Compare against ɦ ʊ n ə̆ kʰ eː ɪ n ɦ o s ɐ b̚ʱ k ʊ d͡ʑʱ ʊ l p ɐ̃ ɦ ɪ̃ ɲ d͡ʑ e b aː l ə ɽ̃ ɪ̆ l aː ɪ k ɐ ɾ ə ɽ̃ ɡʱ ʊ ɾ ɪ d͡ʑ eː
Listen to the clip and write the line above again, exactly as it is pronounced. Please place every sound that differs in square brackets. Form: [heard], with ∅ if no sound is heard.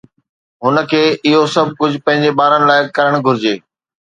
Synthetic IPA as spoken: ɦ ʊ n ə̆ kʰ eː ɪ [∅] ɦ o s ɐ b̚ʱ k ʊ d͡ʑʱ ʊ [∅] p ɐ̃ ɦ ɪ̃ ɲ d͡ʑ e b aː [ɾ] ə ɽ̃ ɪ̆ l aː ɪ k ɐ ɾ ə ɽ̃ ɡʱ ʊ ɾ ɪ d͡ʑ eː